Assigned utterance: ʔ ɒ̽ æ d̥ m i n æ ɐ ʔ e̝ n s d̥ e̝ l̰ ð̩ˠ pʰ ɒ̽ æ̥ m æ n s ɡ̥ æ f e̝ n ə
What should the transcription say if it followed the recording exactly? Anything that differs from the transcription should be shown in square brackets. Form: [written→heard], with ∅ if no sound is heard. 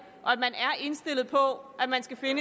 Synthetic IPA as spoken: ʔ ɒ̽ æ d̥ m [i→æ] n æ ɐ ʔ e̝ n s d̥ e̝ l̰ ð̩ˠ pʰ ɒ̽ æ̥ m æ n s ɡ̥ æ f e̝ n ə